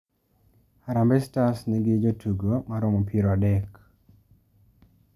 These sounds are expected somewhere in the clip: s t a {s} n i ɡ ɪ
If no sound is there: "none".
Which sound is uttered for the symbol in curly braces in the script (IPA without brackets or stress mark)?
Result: s